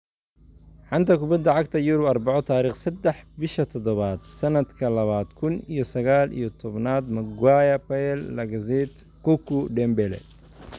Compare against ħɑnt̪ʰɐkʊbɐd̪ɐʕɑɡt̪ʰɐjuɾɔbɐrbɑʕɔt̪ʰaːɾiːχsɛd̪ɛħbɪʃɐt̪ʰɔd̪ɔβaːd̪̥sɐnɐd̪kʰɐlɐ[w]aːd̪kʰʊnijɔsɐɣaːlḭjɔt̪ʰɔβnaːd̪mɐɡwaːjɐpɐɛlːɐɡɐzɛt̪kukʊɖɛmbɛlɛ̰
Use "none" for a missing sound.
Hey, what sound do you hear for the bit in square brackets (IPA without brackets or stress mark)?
β